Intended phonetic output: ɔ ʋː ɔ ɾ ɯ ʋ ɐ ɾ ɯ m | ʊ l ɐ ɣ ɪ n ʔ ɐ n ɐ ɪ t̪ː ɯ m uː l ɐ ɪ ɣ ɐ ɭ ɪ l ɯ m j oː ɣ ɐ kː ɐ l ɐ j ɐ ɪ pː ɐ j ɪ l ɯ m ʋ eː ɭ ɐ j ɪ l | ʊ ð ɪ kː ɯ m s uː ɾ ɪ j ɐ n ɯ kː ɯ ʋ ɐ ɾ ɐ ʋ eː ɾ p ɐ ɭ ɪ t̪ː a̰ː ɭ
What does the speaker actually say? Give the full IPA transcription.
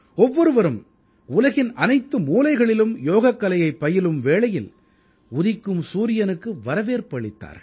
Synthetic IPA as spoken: ɔ ʋː ɔ ɾ ɯ ʋ ɐ ɾ ɯ m | ʊ l ɐ ɣ ɪ n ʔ ɐ n ɐ ɪ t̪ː ɯ m uː l ɐ ɪ ɣ ɐ ɭ ɪ l ɯ m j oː ɣ ɐ kː ɐ l ɐ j ɐ ɪ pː ɐ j ɪ l ɯ m ʋ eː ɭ ɐ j ɪ l | ʊ ð ɪ kː ɯ m s uː ɾ ɪ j ɐ n ɯ kː ɯ ʋ ɐ ɾ ɐ ʋ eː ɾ p ɐ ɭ ɪ t̪ː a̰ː ɾ